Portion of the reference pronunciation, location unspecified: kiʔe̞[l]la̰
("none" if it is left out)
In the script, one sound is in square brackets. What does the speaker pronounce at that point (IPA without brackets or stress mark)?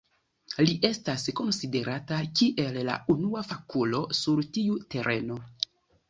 l